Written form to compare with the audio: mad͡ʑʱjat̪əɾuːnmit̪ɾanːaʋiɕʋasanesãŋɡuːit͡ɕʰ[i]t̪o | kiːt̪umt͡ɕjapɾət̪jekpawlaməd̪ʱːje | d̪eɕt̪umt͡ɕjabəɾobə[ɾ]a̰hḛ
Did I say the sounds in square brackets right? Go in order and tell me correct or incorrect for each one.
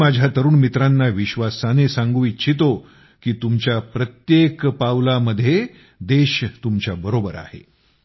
correct, correct

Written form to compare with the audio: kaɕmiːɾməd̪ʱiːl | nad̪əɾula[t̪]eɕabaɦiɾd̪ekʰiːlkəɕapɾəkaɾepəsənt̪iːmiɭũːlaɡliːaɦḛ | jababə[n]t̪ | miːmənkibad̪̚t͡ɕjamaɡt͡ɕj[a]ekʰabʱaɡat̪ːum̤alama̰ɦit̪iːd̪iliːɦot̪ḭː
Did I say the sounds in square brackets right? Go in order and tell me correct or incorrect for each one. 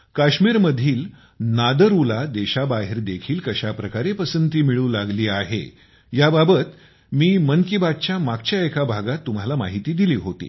incorrect, incorrect, correct

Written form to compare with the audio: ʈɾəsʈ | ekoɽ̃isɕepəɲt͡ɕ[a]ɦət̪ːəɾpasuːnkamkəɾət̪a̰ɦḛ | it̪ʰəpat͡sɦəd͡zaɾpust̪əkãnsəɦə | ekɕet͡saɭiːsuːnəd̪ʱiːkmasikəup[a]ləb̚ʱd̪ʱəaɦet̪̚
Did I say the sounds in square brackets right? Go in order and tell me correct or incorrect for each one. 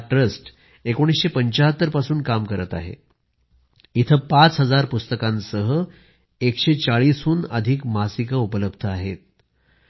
correct, incorrect

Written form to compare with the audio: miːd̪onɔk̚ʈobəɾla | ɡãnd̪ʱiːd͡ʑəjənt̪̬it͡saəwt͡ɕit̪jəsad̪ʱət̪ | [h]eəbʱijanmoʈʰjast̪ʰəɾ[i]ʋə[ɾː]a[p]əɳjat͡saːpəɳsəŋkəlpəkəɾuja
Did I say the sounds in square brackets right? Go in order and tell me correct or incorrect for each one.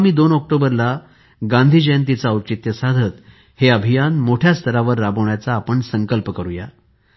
correct, incorrect, correct, incorrect

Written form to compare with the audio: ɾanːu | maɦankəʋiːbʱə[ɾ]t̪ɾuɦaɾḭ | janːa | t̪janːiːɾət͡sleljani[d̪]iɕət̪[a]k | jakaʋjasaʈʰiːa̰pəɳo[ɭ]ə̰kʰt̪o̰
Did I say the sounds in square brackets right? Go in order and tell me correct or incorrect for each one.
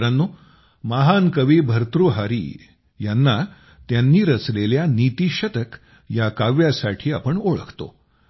correct, incorrect, incorrect, correct

